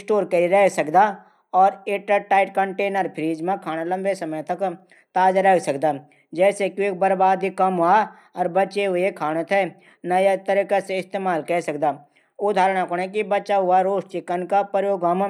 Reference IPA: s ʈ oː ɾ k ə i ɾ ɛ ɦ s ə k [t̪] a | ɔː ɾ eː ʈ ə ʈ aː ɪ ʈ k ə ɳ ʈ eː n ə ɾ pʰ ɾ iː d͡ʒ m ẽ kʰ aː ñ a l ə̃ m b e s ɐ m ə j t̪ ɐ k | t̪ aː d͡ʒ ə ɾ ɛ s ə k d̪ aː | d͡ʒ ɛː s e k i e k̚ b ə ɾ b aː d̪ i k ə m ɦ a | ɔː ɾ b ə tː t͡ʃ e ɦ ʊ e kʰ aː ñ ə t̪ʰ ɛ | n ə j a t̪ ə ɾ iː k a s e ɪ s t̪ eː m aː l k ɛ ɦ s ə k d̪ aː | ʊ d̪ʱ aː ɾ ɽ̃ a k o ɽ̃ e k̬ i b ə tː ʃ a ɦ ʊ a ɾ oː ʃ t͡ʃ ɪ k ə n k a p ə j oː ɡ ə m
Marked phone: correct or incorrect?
incorrect